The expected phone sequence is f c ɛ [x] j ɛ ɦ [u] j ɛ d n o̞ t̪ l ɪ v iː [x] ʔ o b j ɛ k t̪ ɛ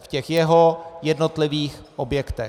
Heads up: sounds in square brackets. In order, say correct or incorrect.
correct, incorrect, correct

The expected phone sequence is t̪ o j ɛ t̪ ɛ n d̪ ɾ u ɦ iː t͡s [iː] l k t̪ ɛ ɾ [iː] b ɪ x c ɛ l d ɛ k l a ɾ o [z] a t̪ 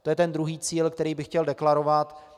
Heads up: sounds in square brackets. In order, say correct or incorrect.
correct, correct, incorrect

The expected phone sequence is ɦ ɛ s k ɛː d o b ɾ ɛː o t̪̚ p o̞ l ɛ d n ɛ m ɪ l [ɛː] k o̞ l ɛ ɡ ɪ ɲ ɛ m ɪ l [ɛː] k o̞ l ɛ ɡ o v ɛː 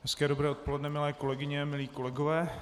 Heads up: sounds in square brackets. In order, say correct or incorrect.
correct, incorrect

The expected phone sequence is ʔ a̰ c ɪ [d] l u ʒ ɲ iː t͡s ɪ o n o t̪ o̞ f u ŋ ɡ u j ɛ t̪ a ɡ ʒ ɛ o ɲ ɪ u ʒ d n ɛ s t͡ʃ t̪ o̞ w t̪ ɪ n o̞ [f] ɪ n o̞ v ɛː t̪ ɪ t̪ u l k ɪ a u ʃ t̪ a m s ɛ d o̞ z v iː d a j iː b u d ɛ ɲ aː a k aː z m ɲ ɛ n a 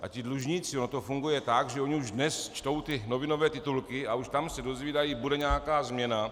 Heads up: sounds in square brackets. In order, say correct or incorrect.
correct, incorrect

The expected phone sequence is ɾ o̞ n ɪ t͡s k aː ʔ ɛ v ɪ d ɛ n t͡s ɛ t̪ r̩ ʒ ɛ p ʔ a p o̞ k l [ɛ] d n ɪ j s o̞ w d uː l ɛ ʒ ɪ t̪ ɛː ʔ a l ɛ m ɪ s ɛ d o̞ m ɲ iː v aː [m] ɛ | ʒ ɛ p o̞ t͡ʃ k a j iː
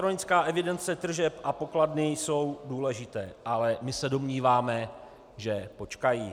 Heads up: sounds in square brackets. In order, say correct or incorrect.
incorrect, correct

